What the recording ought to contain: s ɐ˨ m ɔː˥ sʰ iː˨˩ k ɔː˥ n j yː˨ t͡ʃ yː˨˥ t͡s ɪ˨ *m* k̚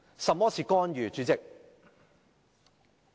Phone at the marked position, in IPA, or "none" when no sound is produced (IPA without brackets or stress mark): none